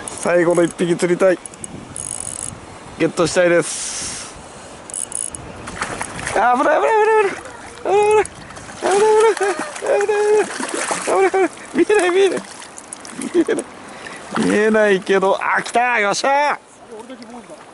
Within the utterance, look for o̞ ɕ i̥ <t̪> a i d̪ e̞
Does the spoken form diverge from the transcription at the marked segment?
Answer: no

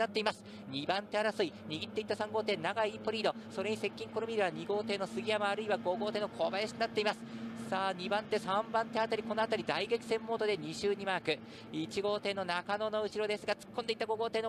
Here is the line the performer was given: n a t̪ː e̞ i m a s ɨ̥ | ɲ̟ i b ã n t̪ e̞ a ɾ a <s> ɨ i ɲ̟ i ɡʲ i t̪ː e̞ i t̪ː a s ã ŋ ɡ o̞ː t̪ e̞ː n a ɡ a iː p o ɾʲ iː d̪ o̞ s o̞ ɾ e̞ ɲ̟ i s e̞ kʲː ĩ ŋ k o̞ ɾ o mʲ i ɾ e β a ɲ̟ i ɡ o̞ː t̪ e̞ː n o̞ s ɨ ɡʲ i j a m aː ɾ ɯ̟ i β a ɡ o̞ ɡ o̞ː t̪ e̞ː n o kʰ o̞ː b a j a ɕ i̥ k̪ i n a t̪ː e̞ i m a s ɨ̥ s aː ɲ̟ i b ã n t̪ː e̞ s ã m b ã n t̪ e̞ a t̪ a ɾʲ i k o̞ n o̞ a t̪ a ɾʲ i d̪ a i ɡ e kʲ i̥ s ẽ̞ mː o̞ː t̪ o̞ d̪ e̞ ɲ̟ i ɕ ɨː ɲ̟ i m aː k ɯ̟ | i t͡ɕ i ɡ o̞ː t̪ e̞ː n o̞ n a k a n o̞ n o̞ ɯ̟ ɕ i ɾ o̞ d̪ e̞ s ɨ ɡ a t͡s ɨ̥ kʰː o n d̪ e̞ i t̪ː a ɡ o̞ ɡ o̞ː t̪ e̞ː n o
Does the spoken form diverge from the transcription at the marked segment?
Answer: no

